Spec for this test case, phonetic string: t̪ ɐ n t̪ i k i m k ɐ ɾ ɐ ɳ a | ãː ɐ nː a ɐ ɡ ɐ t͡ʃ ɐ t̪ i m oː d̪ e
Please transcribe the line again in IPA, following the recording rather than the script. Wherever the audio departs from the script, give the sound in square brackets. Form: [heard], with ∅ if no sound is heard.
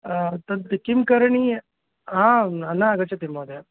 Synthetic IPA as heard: t̪ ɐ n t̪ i k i m k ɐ ɾ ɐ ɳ [i] | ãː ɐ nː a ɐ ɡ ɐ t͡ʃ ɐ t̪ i m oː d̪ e